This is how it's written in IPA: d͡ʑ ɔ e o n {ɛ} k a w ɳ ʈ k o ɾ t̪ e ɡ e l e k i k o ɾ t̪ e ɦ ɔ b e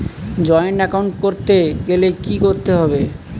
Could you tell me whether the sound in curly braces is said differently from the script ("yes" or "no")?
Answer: no